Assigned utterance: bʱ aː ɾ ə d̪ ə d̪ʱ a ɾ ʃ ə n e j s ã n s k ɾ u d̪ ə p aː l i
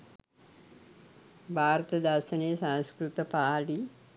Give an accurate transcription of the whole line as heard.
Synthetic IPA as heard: bʱ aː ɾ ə t̪ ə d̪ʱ a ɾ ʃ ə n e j s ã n s k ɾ u t̪ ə p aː l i